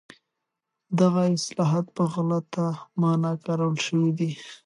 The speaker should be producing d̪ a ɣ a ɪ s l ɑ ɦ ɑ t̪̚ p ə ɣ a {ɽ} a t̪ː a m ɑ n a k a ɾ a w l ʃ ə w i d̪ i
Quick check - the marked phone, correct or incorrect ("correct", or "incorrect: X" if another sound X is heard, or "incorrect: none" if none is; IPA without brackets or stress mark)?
incorrect: l